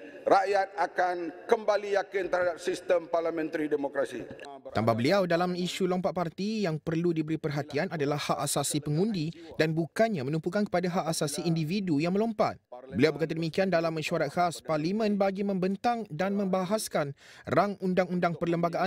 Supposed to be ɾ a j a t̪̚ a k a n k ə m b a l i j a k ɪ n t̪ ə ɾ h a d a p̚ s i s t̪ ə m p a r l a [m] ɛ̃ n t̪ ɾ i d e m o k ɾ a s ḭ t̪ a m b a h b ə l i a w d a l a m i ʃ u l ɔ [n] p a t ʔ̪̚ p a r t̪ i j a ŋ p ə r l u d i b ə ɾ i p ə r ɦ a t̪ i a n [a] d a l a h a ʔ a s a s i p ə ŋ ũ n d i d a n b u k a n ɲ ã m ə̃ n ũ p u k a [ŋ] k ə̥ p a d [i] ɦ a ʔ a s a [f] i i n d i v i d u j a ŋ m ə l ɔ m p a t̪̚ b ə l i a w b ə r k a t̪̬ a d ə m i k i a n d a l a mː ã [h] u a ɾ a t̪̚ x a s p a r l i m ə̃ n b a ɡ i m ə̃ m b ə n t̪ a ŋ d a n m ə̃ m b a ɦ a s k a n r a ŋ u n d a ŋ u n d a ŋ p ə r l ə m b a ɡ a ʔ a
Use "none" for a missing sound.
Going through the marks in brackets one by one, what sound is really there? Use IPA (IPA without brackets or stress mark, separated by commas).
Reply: m, m, a, n, a, s, ʃ